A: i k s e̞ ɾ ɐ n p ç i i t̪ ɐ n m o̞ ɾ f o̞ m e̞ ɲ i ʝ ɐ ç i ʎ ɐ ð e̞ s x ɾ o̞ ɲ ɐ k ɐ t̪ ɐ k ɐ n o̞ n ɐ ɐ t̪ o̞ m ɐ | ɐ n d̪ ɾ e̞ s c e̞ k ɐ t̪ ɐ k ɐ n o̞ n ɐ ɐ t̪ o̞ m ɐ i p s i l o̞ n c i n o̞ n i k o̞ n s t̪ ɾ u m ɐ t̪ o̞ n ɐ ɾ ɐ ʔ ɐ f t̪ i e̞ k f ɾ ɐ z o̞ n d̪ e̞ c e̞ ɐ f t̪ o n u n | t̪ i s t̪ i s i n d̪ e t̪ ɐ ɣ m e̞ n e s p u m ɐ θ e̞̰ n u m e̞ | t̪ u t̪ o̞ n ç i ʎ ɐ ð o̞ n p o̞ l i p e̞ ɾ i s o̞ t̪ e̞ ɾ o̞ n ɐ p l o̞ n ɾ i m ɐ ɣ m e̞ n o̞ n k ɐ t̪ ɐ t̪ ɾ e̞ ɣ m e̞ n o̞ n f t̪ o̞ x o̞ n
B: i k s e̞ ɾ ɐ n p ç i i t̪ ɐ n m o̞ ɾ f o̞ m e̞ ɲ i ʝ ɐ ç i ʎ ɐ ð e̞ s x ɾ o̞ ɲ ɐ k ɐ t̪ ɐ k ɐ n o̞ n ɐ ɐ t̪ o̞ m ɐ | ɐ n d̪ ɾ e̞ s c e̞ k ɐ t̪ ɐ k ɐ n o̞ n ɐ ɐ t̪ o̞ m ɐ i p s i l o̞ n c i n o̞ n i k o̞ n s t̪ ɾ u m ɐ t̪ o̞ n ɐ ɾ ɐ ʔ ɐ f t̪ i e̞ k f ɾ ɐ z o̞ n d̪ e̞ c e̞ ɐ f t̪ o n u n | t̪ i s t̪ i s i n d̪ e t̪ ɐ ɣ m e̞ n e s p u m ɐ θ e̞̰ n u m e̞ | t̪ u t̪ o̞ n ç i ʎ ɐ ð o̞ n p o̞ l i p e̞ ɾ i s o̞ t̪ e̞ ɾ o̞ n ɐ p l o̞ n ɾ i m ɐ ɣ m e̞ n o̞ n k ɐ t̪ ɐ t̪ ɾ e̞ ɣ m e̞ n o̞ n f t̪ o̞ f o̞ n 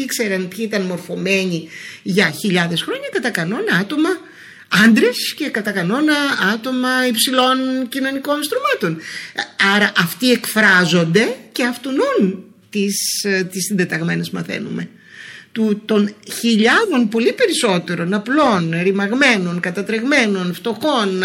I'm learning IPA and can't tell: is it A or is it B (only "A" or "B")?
A